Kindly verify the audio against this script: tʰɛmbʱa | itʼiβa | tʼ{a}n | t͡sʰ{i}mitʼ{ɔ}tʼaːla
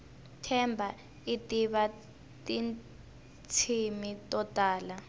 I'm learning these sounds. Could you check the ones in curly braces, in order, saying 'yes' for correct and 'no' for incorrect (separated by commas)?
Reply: no, yes, yes